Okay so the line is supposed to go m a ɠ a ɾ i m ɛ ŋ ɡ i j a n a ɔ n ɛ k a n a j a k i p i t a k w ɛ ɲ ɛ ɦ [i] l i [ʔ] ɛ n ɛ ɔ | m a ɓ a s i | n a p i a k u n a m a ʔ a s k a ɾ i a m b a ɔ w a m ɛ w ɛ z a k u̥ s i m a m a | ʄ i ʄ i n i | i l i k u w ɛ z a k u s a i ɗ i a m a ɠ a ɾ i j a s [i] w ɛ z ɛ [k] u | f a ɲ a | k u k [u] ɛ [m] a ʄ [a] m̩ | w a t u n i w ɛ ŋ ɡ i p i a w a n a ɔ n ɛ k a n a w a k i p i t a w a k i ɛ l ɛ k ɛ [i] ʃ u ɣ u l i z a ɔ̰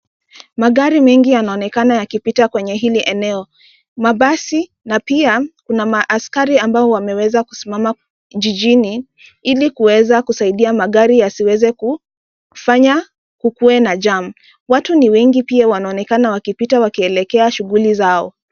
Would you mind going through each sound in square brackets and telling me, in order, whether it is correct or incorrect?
correct, correct, correct, correct, correct, incorrect, correct, incorrect

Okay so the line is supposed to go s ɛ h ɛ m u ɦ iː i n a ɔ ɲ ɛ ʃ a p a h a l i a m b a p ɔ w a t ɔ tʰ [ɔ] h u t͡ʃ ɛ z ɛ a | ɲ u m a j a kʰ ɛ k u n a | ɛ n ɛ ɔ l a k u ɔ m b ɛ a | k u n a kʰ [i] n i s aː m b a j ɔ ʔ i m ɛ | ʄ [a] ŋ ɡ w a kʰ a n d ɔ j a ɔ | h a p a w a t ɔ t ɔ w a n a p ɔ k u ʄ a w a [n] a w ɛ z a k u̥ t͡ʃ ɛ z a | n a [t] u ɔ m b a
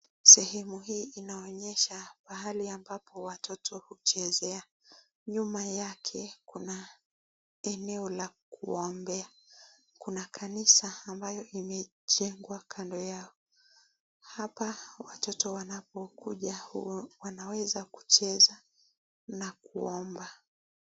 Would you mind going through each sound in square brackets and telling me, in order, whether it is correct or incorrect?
correct, incorrect, incorrect, correct, incorrect

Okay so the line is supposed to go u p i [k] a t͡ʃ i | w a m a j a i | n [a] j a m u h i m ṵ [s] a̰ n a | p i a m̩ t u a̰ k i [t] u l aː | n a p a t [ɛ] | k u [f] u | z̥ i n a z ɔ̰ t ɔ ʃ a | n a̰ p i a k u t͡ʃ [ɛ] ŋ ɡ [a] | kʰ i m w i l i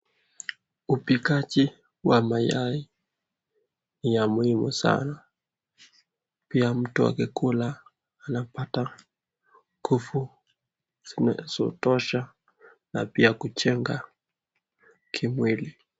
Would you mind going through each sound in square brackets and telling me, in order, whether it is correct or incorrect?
correct, incorrect, correct, incorrect, incorrect, correct, correct, correct

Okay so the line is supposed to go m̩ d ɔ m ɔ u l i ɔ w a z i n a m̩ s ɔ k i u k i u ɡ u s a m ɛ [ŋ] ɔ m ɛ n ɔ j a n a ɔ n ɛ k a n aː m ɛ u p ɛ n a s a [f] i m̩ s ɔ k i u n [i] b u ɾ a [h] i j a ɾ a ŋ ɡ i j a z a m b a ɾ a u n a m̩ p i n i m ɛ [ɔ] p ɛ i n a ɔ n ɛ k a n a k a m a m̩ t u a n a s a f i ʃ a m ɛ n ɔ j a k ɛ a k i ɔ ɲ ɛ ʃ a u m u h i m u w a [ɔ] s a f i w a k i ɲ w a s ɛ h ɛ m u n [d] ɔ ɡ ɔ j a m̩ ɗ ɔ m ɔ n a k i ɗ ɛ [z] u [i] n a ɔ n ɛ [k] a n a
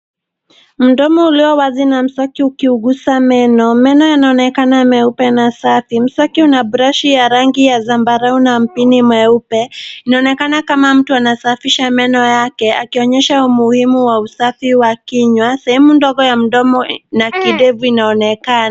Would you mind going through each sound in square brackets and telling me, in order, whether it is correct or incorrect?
incorrect, correct, incorrect, incorrect, incorrect, incorrect, correct, incorrect, correct, correct

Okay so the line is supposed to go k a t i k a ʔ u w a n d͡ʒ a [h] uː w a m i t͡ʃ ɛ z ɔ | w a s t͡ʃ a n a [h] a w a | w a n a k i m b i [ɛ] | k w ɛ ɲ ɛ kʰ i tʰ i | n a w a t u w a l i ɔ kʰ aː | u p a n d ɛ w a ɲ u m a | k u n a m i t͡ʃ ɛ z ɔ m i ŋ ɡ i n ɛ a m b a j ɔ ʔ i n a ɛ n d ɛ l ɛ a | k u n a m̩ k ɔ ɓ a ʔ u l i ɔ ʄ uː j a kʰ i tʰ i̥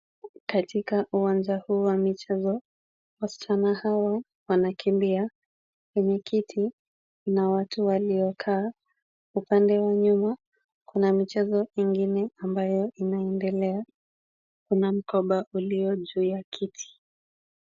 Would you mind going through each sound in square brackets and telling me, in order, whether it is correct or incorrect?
correct, correct, incorrect

